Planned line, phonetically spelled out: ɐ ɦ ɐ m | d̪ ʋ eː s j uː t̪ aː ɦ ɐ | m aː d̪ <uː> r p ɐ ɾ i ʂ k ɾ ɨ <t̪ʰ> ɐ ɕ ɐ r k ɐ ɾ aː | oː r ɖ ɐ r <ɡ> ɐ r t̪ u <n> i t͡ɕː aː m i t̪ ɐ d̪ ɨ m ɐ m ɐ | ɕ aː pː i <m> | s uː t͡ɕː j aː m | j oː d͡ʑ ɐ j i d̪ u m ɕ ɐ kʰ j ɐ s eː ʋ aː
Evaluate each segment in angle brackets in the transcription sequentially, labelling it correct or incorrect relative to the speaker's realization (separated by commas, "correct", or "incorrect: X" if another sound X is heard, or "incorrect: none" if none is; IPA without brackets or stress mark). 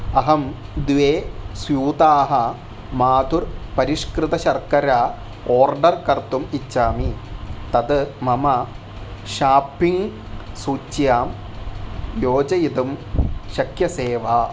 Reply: incorrect: u, incorrect: t̪, incorrect: k, incorrect: m, incorrect: ŋ